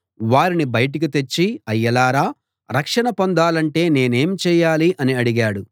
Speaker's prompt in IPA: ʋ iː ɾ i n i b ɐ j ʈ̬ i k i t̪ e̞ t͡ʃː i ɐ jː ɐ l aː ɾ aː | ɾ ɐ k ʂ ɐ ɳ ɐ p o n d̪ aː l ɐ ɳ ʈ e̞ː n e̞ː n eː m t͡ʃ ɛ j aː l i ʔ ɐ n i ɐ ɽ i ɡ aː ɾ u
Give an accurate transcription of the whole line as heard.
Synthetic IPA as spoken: ʋ aː ɾ i n i b ɐ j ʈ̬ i k i t̪ e̞ t͡ʃː i ɐ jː ɐ l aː ɾ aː | ɾ ɐ k ʂ ɐ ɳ ɐ p o n d̪ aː l ɐ ɳ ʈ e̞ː n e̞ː n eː m t͡ʃ ɛː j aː l i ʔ ɐ n i ɐ ɽ i ɡ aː ɽ u